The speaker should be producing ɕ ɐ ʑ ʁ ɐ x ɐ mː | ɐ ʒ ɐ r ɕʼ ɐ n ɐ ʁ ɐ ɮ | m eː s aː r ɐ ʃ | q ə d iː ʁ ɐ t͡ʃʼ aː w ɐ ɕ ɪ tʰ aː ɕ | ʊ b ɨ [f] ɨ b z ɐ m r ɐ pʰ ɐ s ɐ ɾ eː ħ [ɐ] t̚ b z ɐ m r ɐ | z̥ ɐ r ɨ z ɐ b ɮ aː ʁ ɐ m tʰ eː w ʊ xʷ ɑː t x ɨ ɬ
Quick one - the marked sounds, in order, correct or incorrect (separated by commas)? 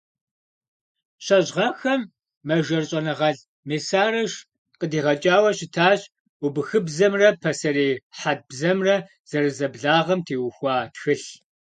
incorrect, incorrect